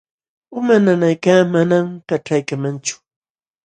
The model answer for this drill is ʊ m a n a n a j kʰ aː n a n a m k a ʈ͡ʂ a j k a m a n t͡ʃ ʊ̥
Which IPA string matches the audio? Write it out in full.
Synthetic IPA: ʊ m a n a n a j k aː m a n a m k a ʈ͡ʂ a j k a m a n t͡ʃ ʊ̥